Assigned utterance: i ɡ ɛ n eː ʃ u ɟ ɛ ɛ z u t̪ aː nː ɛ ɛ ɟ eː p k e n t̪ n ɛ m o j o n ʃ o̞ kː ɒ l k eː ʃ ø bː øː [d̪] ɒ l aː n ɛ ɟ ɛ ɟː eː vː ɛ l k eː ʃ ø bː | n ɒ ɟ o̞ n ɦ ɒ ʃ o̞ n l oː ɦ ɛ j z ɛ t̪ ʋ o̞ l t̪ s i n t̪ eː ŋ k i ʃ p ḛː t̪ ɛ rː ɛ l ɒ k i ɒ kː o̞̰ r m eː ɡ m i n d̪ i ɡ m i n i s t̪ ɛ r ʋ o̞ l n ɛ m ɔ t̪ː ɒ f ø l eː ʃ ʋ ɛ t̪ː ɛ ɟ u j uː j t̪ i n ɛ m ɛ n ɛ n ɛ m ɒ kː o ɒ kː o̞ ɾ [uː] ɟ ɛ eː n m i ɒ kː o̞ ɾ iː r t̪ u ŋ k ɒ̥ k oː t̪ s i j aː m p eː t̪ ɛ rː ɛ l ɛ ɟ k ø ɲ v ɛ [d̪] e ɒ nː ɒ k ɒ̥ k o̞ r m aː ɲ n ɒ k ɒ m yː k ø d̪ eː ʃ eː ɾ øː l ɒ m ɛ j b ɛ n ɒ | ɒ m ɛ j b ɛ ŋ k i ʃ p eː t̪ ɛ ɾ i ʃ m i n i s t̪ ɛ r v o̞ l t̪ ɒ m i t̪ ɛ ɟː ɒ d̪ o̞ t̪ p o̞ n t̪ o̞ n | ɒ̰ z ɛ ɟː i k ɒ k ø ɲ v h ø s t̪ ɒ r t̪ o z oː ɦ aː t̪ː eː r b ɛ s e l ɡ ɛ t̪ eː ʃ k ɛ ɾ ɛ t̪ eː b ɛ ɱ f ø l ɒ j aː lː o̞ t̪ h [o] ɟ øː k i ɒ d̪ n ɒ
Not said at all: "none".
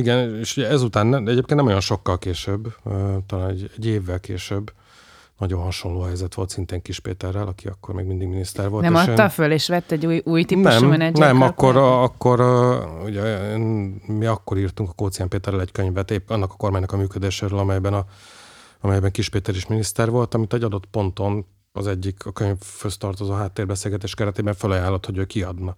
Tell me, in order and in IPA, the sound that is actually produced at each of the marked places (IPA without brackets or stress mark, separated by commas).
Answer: t̪, u, t̪, o